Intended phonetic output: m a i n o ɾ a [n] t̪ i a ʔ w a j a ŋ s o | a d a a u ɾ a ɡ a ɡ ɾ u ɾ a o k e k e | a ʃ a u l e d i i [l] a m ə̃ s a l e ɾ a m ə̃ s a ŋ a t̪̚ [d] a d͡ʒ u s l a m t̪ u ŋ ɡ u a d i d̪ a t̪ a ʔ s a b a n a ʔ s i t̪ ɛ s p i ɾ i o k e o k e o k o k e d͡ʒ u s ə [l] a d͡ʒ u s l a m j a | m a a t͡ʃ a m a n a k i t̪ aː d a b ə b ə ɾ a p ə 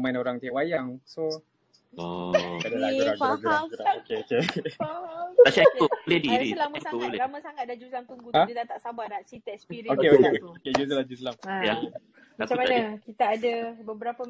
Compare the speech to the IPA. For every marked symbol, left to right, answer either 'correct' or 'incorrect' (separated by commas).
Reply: incorrect, correct, correct, correct